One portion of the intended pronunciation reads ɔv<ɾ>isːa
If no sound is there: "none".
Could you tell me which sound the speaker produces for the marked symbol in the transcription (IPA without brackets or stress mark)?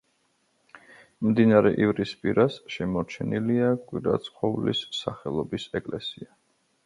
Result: l